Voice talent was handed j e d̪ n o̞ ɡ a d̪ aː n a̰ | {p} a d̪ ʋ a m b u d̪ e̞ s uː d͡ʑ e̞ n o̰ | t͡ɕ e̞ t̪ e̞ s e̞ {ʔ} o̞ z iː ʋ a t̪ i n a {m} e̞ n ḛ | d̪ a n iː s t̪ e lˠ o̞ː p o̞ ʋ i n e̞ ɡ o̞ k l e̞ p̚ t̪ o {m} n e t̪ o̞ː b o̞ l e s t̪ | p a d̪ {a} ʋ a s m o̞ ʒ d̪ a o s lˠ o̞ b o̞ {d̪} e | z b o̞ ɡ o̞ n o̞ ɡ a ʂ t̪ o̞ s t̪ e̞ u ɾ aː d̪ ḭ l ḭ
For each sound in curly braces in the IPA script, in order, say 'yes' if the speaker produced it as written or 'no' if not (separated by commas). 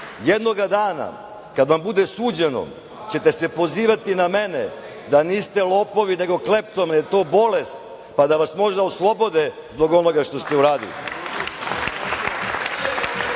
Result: no, no, yes, yes, yes, yes